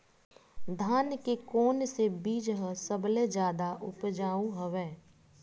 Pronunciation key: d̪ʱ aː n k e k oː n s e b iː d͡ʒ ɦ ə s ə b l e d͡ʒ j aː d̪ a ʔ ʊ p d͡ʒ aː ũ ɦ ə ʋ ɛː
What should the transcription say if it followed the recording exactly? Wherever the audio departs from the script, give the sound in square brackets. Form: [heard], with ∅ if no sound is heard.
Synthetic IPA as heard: d̪ʱ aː n k e k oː n s e b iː d͡ʒ ɦ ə s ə b l e d͡ʒ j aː d̪ a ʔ ʊ p d͡ʒ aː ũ ɦ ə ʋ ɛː